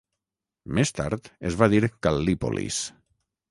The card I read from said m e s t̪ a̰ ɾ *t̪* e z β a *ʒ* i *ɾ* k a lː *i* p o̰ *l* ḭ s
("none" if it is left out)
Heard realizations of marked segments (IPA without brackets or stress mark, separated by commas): t̪, ð, ɾ, i, l